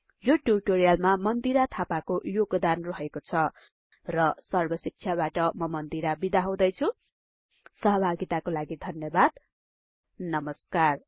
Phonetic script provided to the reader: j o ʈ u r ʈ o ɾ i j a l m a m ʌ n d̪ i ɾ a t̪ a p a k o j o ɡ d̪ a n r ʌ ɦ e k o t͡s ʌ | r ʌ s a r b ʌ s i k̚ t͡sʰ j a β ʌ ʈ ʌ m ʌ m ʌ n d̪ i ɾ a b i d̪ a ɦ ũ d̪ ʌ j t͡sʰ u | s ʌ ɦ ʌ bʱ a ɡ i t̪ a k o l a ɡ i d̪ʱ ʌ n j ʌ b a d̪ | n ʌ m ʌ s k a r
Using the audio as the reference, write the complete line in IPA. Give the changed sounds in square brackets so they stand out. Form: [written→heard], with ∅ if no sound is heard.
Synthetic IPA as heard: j o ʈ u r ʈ o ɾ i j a l m a m ʌ n d̪ i ɾ a [t̪→t̪ʰ] a p a k o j o ɡ d̪ a n r ʌ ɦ e k o [t͡s→t͡sʰ] ʌ | r ʌ s [a→ʌ] r b ʌ s i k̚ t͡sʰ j a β [ʌ→a] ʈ ʌ m ʌ m ʌ n d̪ i ɾ a b i d̪ a ɦ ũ d̪ ʌ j t͡sʰ u | s ʌ ɦ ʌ bʱ a ɡ i t̪ a k o l a ɡ i d̪ʱ ʌ n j ʌ b a d̪ | n ʌ m ʌ s k a r